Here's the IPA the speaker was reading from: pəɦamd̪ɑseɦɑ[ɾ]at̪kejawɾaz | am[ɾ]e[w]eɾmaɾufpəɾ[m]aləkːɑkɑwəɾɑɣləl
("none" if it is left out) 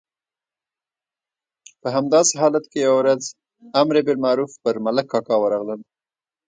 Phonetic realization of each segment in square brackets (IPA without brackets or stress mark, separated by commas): l, ɾ, b, m